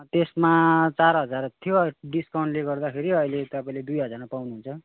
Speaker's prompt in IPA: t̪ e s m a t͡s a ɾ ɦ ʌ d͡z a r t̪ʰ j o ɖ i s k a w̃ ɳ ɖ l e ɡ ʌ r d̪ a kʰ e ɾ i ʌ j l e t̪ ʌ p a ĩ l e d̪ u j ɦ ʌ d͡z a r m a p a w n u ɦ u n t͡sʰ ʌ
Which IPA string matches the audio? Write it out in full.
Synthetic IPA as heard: t̪ e s m a t͡s a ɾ ɦ ʌ d͡z a r t̪ʰ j o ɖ i s k a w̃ ɳ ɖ l e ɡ ʌ r d̪ a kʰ e ɾ i ʌ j l e t̪ ʌ p a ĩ l e d̪ u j ɦ ʌ d͡z a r m a p a w n u ɦ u n t͡sʰ ʌ